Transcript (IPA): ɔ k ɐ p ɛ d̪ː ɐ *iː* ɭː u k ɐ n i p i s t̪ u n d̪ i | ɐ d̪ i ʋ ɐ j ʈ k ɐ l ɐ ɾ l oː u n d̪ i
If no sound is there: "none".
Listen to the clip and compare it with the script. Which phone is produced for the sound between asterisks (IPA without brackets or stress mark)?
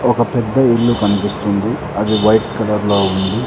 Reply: i